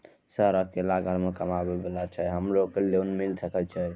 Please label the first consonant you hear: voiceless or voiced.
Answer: voiceless